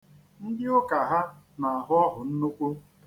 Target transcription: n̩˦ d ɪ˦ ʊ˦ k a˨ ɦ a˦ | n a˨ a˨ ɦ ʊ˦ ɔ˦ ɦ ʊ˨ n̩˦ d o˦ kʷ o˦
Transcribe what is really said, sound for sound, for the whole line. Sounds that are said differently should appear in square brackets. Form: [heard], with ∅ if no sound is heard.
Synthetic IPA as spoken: n̩˦ d ɪ˦ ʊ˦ k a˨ ɦ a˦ | n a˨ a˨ ɦ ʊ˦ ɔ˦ ɦ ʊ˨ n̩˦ [n] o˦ kʷ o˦